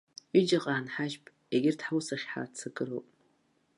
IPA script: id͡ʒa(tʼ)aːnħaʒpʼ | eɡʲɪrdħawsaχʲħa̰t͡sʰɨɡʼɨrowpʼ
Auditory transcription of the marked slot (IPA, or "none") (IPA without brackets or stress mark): qʼ